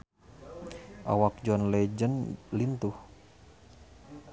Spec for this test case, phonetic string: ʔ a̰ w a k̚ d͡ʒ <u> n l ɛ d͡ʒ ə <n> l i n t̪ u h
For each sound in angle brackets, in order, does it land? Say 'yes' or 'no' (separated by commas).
no, yes